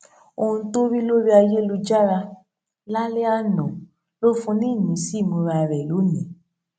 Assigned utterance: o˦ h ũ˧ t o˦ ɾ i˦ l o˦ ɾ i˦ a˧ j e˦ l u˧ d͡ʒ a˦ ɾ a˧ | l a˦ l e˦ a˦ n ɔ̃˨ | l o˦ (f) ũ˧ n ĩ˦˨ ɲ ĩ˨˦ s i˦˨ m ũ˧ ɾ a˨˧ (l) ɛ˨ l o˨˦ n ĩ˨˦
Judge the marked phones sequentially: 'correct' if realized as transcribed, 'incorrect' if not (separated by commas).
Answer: correct, incorrect